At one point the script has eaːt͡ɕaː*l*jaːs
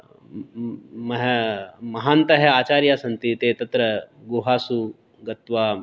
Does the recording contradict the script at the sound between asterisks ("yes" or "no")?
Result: yes